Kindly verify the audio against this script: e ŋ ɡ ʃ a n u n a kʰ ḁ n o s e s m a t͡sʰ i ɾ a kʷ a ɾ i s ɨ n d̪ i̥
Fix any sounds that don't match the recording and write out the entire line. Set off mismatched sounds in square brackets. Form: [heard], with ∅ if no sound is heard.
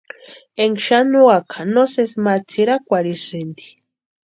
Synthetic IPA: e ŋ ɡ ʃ a n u [∅] a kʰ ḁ n o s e s m a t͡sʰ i ɾ a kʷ a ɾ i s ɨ n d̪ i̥